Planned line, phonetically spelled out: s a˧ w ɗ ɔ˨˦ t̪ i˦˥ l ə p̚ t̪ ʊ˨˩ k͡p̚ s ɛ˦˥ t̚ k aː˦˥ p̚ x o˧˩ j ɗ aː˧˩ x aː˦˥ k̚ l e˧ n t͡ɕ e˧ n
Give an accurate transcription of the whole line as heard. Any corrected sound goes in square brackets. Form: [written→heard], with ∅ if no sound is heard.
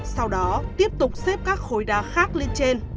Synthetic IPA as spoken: s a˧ w ɗ ɔ˨˦ t̪ i˦˥ [l→∅] ə p̚ t̪ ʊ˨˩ k͡p̚ s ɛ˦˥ [t̚→p̚] k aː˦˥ [p̚→k̚] x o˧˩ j ɗ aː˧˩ x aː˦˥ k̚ l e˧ n t͡ɕ e˧ n